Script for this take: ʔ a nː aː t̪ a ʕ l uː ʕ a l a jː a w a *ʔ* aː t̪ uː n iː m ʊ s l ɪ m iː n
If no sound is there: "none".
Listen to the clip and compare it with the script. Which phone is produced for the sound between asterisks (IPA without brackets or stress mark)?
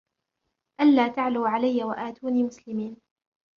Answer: ʔ